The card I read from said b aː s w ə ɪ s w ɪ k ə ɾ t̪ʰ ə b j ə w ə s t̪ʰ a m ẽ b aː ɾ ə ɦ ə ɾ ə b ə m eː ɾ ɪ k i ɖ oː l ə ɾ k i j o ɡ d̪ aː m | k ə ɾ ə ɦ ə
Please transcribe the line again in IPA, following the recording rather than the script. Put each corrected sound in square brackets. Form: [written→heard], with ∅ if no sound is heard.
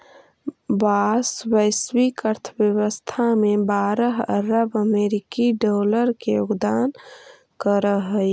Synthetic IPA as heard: b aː s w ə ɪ s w [ɪ→i] k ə ɾ t̪ʰ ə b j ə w ə s t̪ʰ a m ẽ b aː ɾ ə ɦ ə ɾ ə b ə m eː ɾ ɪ k i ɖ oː l ə ɾ k [i→e] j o ɡ d̪ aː [m→n] | k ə ɾ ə ɦ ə